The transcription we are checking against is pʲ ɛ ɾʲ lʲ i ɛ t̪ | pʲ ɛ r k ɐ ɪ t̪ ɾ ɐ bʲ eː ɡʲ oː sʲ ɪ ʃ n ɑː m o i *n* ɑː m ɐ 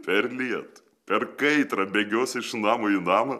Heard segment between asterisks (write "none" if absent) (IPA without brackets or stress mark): n